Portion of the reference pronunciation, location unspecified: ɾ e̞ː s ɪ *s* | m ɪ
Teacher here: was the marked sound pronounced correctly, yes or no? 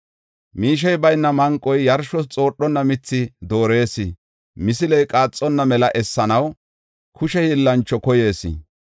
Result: no